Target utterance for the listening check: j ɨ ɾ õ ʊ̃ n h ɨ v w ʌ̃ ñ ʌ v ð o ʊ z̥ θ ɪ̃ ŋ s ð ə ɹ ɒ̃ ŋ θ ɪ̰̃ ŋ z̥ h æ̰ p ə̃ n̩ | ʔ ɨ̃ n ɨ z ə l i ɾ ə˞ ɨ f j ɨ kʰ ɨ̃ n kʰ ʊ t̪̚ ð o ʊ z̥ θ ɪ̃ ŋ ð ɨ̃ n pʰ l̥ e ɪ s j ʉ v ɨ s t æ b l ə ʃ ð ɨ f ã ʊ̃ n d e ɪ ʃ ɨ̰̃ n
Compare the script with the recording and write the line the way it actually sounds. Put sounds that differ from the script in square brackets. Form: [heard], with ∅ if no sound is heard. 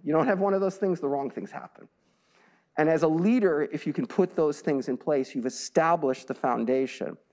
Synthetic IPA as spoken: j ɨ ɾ õ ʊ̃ n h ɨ v w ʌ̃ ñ ʌ v ð o ʊ z̥ θ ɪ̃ ŋ [z] ð ə ɹ [ɔ̃] ŋ θ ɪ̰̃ ŋ z̥ h æ̰ p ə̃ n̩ | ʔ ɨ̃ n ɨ z ə l i ɾ ə˞ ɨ f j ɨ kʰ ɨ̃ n [pʰ] ʊ t̪̚ ð o ʊ z̥ θ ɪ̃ ŋ [z] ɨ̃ n pʰ l̥ e ɪ s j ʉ v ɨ s t æ b l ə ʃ ð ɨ f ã ʊ̃ n d e ɪ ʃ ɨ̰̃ n

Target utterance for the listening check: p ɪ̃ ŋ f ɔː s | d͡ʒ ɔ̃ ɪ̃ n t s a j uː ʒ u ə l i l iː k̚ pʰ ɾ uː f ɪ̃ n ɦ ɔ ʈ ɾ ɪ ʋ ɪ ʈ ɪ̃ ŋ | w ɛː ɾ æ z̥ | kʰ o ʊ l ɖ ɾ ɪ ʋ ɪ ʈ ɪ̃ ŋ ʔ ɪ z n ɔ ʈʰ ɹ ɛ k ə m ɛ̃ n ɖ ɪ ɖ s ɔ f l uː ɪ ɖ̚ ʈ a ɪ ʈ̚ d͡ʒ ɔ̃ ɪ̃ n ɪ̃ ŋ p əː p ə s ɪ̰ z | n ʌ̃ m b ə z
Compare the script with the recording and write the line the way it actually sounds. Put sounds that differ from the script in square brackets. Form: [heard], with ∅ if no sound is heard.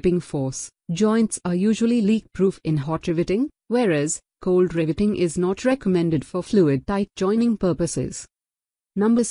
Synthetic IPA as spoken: p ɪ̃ ŋ f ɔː s | d͡ʒ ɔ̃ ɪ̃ n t s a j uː ʒ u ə l i l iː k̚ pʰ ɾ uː f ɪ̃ n ɦ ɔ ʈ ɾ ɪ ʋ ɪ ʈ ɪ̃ ŋ | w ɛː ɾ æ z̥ | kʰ o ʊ l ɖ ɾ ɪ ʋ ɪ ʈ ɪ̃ ŋ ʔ ɪ z n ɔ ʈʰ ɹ ɛ k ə m ɛ̃ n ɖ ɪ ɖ [f] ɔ f l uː ɪ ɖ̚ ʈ a ɪ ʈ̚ d͡ʒ ɔ̃ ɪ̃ n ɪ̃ ŋ p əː p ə s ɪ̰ z | n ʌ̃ m b ə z

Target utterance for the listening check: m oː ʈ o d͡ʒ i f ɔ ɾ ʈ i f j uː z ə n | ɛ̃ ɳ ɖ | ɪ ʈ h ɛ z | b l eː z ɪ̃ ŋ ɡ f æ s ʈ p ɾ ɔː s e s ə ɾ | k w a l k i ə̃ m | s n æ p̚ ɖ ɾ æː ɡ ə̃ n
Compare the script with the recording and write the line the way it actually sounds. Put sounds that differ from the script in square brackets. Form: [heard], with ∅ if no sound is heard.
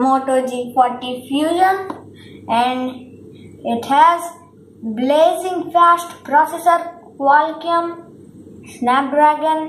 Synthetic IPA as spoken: m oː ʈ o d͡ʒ i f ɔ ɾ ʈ i f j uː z ə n | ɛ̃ ɳ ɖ | ɪ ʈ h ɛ z | b l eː z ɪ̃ ŋ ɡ f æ s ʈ p ɾ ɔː s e s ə ɾ | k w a l k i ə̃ m | s n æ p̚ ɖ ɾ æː ɡ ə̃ n

